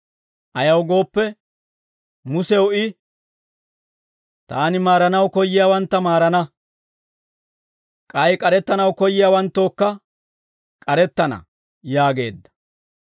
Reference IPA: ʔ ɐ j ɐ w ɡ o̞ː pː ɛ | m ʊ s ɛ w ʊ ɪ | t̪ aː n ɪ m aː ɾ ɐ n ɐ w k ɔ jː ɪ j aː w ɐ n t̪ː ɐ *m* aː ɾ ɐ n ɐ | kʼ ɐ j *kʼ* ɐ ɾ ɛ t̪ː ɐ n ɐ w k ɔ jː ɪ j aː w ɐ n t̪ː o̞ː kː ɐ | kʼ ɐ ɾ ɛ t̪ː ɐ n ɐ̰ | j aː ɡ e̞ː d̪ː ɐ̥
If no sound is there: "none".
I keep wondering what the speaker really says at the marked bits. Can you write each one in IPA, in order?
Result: m, kʼ

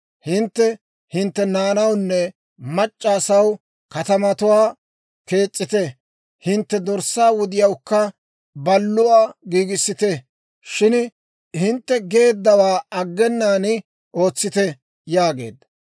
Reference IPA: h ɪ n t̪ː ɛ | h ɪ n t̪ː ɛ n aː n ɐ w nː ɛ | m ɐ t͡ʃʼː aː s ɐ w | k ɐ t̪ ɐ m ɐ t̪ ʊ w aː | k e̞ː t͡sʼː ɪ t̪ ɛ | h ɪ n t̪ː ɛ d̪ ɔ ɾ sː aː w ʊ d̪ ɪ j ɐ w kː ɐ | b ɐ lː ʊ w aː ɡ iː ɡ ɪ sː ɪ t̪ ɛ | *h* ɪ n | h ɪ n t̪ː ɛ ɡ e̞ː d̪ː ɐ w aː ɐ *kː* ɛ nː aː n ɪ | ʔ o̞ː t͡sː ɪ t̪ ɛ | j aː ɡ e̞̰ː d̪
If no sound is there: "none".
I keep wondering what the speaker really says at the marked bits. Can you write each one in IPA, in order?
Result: ʃ, ɡː

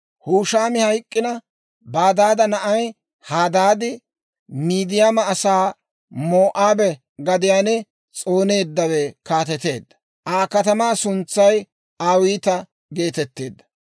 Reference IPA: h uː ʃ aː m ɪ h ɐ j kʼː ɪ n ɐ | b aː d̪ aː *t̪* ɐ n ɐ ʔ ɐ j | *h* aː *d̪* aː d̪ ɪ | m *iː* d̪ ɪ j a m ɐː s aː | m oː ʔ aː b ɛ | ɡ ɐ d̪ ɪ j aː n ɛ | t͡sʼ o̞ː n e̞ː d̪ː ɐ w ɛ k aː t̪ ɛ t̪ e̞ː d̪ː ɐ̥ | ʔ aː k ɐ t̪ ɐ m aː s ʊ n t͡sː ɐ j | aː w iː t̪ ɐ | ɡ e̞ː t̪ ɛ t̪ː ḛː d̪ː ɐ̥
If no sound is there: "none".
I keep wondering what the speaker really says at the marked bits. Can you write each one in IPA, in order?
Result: d̪, h, d̪, iː

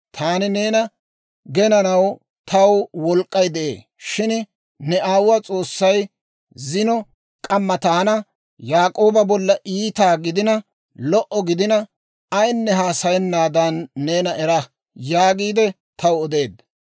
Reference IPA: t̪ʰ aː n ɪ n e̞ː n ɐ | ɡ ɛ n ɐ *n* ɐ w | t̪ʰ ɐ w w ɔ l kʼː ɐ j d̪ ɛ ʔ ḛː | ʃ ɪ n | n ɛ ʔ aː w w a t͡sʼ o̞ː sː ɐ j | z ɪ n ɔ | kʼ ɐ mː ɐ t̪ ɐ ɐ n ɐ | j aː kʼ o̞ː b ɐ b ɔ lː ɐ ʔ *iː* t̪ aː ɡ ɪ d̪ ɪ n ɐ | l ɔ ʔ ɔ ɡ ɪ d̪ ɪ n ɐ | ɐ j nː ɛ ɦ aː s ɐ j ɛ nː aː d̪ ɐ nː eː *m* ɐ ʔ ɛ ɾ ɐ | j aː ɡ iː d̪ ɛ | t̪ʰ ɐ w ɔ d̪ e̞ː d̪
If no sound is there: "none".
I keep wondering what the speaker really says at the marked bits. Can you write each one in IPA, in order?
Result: n, iː, n

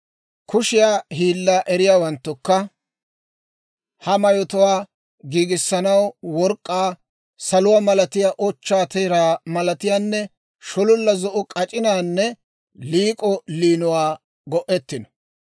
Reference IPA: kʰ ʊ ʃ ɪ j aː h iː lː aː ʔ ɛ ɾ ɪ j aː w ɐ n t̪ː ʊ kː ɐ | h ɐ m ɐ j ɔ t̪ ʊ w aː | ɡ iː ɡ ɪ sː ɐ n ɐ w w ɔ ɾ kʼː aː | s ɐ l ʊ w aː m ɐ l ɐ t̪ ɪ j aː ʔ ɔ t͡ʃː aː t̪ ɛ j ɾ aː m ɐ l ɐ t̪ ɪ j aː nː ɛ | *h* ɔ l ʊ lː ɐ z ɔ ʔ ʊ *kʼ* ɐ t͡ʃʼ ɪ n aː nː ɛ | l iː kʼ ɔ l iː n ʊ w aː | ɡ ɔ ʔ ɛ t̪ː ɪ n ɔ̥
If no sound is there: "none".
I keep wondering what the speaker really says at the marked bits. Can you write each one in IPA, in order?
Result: ʃ, kʼ

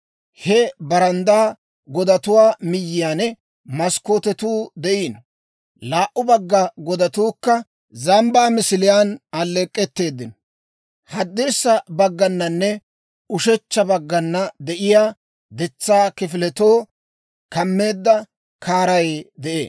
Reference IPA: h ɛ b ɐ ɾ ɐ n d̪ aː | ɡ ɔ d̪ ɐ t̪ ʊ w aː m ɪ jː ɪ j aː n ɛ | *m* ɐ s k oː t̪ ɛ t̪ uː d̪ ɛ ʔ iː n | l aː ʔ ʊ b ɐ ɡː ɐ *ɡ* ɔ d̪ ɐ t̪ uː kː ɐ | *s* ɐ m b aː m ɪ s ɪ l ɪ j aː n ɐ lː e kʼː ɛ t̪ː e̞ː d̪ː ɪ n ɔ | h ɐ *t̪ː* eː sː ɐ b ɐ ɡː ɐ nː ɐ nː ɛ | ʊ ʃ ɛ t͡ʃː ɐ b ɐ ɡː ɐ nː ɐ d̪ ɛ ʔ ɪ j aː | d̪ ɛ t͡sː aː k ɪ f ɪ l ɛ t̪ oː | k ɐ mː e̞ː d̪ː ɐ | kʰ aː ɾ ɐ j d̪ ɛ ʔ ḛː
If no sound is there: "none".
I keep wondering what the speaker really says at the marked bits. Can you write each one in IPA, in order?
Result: m, ɡ, z, d̪ː

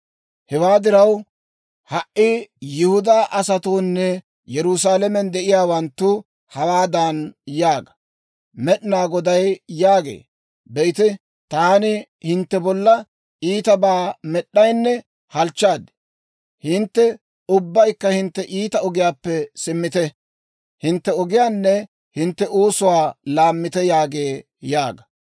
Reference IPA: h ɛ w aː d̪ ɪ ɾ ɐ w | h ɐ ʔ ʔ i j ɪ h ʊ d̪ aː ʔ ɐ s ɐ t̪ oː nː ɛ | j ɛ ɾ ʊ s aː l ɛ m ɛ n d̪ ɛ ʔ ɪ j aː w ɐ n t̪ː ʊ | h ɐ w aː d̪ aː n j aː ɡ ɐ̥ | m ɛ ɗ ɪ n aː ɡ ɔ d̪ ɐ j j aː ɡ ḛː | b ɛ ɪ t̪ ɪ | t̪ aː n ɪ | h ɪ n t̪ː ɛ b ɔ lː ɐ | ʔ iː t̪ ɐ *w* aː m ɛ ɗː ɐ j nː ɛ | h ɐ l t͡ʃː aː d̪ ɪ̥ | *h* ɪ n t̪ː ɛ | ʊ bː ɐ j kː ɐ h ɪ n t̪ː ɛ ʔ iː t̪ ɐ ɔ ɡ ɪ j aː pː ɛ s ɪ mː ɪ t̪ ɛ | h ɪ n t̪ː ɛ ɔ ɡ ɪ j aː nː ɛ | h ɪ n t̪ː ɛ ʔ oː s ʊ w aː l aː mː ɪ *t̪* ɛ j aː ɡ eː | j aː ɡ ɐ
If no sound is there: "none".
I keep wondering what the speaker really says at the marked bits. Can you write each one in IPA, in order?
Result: b, h, t̪

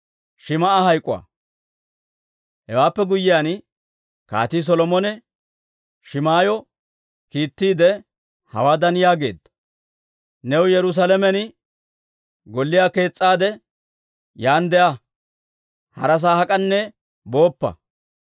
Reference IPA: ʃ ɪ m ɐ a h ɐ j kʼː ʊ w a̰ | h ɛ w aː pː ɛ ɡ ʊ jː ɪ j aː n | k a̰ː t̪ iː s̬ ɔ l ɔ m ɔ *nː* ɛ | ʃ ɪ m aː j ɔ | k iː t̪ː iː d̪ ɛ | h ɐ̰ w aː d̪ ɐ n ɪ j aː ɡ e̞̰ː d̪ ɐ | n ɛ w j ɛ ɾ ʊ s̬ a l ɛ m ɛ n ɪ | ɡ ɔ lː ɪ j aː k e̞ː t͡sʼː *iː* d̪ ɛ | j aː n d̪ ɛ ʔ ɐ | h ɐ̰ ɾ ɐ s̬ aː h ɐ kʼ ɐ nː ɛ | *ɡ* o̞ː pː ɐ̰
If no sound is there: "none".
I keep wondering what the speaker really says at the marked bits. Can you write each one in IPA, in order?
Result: n, aː, b

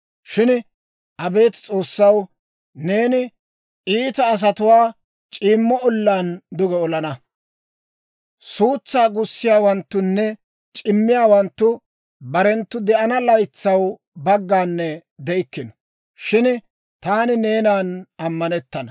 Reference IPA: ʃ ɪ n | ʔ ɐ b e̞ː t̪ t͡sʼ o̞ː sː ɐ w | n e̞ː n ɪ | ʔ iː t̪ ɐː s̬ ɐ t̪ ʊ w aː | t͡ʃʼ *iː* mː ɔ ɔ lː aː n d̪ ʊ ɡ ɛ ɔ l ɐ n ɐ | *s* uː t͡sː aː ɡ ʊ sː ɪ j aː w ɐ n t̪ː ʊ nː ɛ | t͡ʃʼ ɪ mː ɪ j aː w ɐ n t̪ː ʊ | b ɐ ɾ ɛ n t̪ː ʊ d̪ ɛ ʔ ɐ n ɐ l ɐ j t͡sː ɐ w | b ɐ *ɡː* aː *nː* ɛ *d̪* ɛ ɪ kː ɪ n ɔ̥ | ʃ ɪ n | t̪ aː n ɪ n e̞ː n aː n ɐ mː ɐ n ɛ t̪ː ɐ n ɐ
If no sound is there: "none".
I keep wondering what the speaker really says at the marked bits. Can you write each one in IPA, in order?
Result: iː, s, ɡː, nː, d̪

